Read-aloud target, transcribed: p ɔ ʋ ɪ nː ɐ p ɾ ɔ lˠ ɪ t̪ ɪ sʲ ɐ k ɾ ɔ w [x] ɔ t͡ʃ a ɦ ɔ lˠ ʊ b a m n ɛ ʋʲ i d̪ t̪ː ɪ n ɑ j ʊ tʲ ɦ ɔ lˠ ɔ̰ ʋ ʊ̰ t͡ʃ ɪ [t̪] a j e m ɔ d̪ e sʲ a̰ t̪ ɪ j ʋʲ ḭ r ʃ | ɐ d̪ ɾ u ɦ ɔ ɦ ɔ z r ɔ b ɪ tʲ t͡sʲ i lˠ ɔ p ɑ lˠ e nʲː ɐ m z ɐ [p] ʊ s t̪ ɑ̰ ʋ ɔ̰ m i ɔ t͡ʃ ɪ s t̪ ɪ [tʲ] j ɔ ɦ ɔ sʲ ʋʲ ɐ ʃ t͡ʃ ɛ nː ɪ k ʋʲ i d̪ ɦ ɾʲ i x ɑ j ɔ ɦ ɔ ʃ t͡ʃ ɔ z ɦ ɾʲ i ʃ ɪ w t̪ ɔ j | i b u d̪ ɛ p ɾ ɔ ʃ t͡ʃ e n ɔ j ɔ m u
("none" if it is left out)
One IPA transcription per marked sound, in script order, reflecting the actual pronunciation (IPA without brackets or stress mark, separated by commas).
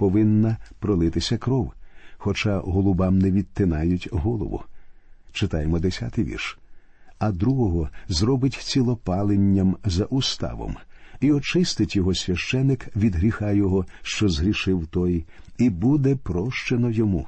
x, t̪, ʔ, tʲ